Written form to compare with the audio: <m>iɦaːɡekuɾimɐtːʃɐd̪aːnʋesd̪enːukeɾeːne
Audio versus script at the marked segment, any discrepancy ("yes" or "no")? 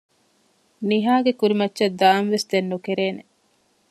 yes